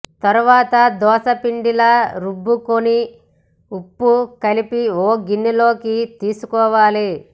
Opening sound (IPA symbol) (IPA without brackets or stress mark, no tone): t̪